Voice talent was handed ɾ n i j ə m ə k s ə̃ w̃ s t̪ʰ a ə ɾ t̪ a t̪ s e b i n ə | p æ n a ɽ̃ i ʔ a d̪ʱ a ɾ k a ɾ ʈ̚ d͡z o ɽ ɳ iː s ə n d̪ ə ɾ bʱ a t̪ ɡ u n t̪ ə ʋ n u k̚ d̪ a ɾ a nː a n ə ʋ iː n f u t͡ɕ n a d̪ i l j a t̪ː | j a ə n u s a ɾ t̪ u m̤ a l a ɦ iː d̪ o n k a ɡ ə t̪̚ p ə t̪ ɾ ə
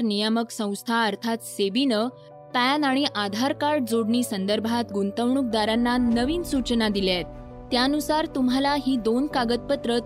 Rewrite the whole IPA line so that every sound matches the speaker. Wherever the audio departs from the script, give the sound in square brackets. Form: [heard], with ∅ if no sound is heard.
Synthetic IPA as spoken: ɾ n i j ə m ə k s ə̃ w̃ s t̪ʰ a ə ɾ [t̪ʰ] a t̪ s e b i n ə | p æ n a ɽ̃ i ʔ a d̪ʱ a ɾ k a ɾ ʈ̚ d͡z o ɽ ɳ iː s ə n d̪ ə ɾ bʱ a t̪ ɡ u n t̪ ə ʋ [ɳ] u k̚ d̪ a ɾ a nː a n ə ʋ iː n [s] u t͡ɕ n a d̪ i l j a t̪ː | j a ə n u s a ɾ t̪ u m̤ a l a ɦ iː d̪ o n k a ɡ ə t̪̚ p ə t̪ ɾ ə